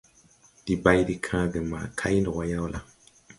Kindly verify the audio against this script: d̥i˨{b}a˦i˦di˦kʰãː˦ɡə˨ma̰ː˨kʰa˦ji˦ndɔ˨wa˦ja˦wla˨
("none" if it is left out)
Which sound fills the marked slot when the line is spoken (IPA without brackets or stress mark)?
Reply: b